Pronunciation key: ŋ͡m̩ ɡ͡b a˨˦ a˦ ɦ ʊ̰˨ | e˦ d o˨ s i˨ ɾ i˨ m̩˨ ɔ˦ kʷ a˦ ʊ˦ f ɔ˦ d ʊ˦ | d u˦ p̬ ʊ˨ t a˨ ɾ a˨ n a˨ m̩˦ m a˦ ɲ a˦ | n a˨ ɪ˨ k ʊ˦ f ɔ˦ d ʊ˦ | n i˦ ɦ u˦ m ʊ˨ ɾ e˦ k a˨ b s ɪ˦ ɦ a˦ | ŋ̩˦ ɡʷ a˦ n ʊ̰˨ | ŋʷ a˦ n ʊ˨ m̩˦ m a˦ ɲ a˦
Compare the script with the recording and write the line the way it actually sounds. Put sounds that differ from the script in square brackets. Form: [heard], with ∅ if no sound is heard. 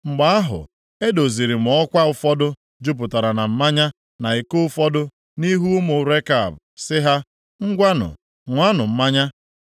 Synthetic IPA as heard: ŋ͡m̩ ɡ͡b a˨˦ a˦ ɦ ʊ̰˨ | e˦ d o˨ [z] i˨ ɾ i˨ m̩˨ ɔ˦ kʷ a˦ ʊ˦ f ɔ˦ d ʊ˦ | [d͡ʒ] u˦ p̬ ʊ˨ t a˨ ɾ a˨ n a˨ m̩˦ m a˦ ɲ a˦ | n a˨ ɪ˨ k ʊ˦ f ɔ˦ d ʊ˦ | n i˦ ɦ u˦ m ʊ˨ ɾ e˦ k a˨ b s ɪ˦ ɦ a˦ | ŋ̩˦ ɡʷ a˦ n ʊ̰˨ | ŋʷ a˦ n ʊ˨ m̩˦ m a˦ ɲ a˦